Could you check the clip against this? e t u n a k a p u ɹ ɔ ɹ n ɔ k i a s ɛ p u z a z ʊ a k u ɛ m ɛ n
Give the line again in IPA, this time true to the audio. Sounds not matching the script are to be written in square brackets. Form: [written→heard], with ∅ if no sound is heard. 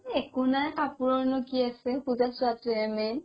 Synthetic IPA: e [t→k] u n a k a p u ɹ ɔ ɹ n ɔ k i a s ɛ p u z a [z→s] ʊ a [k→t] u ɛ m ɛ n